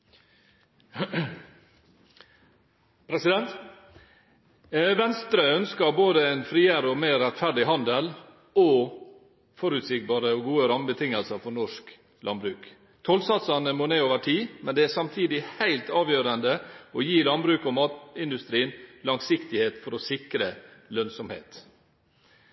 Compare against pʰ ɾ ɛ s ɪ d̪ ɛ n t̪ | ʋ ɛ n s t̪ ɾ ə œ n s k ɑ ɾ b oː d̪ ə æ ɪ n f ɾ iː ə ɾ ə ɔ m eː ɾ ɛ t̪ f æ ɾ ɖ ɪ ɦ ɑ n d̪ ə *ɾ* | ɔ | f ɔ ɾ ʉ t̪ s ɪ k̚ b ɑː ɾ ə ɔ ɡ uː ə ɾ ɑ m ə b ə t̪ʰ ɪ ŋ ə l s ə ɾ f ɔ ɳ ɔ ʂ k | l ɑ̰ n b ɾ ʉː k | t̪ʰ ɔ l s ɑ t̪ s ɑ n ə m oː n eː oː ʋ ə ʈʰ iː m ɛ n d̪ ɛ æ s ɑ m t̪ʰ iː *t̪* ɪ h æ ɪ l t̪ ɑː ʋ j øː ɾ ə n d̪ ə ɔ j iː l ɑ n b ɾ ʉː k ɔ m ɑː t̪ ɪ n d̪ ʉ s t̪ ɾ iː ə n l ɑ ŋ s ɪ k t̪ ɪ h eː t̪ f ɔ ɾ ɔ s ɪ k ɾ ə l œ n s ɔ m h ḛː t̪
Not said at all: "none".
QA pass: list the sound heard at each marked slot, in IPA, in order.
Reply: l, d̪

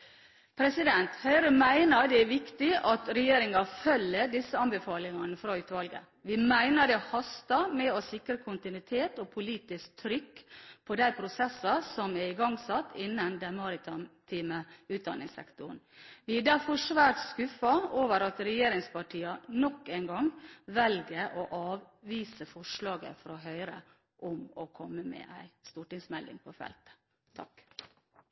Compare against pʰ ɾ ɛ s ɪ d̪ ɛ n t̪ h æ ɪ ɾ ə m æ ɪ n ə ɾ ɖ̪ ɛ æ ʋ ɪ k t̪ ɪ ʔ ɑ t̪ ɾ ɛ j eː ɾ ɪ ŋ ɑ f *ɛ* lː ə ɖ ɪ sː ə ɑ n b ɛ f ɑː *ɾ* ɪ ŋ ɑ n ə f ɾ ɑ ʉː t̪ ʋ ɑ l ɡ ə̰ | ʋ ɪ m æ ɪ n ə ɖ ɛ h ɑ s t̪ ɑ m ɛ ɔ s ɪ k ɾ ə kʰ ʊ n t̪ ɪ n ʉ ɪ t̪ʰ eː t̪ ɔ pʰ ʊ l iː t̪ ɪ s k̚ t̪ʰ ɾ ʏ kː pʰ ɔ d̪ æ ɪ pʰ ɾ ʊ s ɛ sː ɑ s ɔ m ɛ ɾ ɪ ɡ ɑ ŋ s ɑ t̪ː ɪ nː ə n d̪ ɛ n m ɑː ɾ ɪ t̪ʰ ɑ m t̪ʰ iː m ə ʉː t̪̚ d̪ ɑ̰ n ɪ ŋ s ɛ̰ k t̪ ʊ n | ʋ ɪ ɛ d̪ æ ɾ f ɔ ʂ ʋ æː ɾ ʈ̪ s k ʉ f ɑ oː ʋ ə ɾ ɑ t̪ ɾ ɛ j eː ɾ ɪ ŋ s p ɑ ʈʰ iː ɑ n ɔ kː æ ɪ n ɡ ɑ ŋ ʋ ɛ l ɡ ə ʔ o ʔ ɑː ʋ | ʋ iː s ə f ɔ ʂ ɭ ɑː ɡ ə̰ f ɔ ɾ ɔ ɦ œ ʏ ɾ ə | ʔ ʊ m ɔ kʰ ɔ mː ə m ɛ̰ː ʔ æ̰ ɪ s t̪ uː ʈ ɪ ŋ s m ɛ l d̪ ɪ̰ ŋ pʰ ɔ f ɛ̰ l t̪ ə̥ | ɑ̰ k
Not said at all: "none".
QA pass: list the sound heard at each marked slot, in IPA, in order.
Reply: œ, l

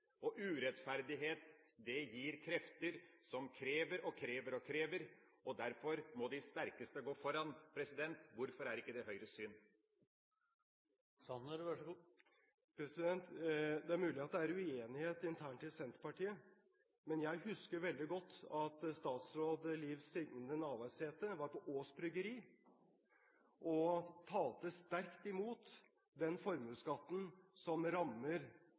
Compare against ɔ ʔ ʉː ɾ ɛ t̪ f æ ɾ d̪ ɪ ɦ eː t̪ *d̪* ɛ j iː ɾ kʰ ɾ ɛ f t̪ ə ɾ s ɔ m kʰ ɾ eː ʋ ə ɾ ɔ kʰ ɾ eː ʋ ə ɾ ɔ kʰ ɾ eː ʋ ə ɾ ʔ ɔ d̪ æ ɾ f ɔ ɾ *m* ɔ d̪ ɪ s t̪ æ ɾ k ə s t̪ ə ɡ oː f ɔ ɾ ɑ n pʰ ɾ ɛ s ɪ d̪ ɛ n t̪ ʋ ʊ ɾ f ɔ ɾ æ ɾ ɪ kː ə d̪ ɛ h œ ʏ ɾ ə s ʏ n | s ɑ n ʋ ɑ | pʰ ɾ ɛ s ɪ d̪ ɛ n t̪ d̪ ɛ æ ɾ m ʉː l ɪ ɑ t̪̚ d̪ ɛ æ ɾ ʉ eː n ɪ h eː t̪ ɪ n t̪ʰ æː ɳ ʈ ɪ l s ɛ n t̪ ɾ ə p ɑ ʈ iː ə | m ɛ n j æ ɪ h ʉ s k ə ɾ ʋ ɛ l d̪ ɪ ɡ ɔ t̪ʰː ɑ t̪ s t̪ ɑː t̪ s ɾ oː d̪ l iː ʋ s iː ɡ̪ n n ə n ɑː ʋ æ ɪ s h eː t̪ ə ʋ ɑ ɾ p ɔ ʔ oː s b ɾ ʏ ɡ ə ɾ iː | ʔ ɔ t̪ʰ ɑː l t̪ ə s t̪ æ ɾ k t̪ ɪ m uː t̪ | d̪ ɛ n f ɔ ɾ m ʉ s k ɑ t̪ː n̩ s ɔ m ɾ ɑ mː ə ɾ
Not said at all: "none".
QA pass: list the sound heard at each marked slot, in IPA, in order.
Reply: d̪, m

